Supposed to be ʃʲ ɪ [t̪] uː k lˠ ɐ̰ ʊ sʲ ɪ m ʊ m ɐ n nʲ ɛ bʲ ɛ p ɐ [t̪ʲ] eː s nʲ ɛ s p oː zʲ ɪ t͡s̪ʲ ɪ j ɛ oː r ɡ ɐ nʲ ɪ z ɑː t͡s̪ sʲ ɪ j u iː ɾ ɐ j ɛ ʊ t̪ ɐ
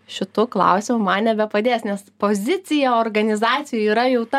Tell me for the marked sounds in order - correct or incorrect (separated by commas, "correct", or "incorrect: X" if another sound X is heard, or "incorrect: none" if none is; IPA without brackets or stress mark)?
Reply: correct, incorrect: d̪ʲ